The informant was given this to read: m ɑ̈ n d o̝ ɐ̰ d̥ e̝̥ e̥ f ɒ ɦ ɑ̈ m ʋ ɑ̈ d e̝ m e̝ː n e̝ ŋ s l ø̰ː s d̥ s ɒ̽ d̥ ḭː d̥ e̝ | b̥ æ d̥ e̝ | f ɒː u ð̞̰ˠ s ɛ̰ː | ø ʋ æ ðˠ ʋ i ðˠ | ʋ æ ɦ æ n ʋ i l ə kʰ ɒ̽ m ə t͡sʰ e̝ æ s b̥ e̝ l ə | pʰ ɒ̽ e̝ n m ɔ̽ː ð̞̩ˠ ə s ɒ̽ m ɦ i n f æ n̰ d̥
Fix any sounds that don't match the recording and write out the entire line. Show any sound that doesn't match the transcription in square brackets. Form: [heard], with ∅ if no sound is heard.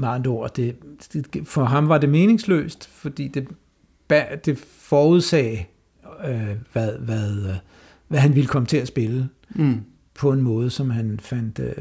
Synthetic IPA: m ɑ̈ n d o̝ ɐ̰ d̥ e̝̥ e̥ f ɒ ɦ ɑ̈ m ʋ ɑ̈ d e̝ m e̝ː n e̝ ŋ s l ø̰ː s d̥ [f] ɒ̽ d̥ ḭː d̥ e̝ | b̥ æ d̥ e̝ | f ɒː u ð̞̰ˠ s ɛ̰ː | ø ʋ æ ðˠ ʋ [æ] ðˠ | ʋ æ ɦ æ n ʋ i l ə kʰ ɒ̽ m ə t͡sʰ e̝ æ s b̥ e̝ l ə | pʰ ɒ̽ e̝ n m ɔ̽ː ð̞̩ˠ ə s ɒ̽ m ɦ [æ] n f æ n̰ d̥